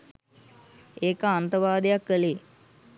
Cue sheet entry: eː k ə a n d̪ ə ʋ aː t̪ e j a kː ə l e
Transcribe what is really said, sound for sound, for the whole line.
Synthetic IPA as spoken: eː k ə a n t̪ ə ʋ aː d̪ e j a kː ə l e